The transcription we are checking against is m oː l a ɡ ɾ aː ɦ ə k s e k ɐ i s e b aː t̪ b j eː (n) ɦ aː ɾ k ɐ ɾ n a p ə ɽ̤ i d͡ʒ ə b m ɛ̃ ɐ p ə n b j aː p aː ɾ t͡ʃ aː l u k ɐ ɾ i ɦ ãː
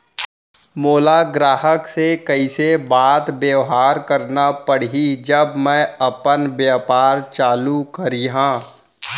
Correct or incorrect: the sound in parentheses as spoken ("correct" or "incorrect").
incorrect